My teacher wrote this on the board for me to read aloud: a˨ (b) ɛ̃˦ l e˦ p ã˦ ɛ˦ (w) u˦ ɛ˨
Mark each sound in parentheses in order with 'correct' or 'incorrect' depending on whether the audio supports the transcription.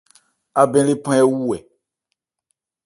correct, correct

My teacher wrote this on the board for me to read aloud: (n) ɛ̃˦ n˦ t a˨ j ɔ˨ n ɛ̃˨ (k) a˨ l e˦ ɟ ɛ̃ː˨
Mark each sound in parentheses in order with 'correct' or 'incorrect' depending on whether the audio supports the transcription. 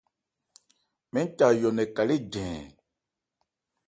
incorrect, correct

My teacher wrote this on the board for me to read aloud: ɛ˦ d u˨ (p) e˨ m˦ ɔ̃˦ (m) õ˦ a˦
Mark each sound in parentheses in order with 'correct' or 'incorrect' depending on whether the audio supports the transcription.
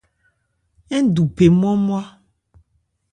correct, correct

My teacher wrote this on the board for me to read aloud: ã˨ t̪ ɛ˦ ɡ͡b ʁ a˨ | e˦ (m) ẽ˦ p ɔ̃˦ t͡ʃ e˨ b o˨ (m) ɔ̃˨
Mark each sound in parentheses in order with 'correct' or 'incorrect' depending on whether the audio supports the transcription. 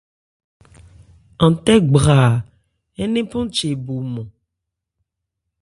incorrect, correct

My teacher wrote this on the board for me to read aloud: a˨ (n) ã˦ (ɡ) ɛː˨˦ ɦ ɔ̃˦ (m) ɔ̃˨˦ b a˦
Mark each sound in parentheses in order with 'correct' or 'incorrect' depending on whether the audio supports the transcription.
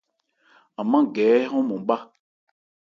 incorrect, correct, correct

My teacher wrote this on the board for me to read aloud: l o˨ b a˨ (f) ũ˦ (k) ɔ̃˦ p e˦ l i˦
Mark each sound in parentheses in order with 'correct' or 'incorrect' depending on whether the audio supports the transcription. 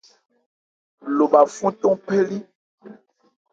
correct, incorrect

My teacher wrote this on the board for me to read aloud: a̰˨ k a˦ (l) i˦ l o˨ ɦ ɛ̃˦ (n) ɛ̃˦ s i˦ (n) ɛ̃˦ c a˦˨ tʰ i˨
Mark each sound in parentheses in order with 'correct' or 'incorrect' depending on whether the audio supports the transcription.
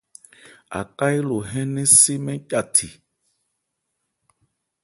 incorrect, correct, incorrect

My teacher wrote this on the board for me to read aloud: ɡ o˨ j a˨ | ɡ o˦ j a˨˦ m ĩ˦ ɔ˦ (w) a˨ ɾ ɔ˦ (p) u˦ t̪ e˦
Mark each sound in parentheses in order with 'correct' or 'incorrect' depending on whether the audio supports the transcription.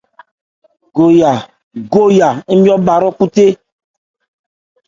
incorrect, incorrect

